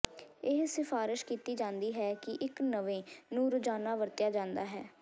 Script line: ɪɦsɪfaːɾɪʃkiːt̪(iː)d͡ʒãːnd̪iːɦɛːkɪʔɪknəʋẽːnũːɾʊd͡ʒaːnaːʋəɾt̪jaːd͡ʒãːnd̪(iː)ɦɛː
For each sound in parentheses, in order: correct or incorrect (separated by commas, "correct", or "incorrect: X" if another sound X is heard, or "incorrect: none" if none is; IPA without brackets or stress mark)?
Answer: correct, incorrect: aː